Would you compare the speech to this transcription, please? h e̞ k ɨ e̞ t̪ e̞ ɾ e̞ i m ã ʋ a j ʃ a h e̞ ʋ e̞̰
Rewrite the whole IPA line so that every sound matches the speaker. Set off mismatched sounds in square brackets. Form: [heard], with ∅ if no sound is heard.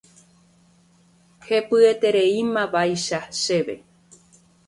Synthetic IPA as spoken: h e̞ [p] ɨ e̞ t̪ e̞ ɾ e̞ i m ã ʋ a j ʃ a [ʃ] e̞ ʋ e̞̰